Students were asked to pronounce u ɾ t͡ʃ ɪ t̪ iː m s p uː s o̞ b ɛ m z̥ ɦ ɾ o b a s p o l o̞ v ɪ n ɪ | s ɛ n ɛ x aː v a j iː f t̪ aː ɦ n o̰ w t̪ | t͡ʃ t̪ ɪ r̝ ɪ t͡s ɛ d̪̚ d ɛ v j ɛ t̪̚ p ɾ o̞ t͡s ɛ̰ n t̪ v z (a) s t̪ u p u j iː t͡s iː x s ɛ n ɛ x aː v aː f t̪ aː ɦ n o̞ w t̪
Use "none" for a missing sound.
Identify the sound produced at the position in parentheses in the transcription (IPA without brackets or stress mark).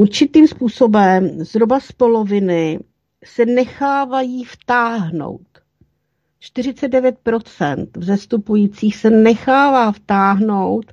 ɛ